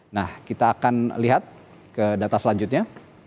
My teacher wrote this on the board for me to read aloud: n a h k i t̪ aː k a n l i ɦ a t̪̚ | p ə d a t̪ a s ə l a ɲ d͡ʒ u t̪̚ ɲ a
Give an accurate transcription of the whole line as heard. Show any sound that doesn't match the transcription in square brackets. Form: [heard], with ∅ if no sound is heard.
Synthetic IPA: n a h k i t̪ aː k a n l i ɦ a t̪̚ | [k] ə d a t̪ a s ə l a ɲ d͡ʒ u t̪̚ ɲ a